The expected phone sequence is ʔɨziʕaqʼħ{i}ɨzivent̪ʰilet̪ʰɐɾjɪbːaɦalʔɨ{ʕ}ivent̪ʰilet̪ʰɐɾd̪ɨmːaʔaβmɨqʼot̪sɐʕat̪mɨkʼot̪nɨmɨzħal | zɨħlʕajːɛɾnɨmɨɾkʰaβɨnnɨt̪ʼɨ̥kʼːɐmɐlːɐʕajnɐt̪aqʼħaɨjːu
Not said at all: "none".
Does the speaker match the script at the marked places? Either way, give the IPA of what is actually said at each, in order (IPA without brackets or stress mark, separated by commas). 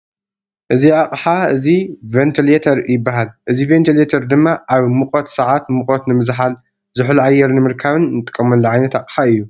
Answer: a, z